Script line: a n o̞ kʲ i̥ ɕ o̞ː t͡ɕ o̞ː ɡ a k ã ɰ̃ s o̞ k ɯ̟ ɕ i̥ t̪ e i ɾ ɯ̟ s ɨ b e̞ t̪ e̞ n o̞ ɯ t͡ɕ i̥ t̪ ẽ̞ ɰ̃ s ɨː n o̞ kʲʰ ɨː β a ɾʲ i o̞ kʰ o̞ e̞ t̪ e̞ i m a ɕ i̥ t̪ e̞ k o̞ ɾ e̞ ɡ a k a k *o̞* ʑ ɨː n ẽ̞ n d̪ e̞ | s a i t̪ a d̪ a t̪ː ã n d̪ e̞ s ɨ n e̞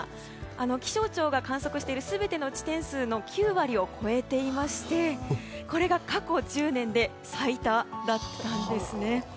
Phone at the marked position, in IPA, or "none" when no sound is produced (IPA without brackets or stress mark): o̞